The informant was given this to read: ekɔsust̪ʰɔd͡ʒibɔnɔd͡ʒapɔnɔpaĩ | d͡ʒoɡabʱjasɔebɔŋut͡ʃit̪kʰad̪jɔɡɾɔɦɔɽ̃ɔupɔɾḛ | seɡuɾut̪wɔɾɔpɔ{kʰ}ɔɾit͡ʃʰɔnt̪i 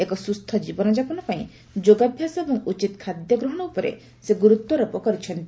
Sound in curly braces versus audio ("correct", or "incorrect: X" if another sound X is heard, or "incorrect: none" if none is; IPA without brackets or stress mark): incorrect: k